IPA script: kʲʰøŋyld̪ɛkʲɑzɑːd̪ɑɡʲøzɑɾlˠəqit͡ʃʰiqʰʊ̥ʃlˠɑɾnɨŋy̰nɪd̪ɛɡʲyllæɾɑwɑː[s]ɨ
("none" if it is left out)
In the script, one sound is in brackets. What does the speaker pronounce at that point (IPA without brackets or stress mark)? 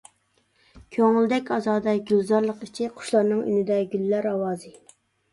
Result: z